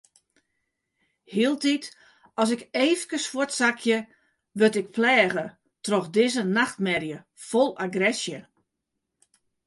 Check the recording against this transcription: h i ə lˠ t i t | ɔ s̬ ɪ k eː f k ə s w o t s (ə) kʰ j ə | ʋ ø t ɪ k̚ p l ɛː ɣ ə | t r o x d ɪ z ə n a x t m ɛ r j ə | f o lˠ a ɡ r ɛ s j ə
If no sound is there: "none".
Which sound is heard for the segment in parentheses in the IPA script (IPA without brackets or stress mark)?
a